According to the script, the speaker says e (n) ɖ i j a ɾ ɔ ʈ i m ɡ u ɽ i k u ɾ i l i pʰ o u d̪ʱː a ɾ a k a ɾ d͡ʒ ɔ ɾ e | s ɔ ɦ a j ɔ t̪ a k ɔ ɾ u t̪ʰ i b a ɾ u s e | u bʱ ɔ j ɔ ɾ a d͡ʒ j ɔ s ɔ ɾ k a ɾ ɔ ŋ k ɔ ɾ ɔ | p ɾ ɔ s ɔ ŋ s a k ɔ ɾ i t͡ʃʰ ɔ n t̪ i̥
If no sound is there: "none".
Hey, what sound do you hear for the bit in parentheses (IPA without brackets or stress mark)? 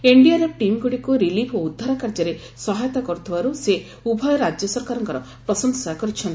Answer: ɳ